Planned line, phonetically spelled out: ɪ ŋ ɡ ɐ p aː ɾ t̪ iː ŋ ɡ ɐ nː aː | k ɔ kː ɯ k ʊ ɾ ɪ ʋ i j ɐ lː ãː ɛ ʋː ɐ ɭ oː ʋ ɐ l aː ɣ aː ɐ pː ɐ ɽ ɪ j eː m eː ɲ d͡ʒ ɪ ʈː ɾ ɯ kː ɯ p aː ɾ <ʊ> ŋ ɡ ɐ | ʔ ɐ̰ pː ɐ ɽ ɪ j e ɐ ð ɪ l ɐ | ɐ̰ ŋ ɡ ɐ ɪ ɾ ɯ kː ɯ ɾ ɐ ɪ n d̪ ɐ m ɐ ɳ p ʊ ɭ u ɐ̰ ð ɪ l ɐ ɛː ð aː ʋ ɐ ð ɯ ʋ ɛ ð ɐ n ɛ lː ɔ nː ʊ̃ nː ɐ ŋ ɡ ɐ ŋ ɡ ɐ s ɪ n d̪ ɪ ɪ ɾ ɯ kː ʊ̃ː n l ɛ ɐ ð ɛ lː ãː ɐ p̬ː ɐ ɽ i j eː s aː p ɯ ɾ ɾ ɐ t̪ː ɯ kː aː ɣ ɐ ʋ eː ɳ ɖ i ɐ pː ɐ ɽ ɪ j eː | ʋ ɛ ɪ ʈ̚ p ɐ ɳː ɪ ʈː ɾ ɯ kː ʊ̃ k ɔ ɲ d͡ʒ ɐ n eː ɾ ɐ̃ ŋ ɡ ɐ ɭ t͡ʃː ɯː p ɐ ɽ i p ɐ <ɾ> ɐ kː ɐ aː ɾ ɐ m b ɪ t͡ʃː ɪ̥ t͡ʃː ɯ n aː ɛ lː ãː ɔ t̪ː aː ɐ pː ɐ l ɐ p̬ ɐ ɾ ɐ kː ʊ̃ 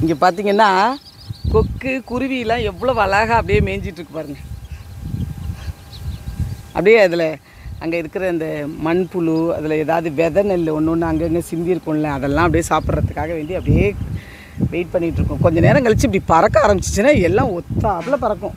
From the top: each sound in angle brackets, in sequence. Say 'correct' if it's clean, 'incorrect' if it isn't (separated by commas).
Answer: incorrect, correct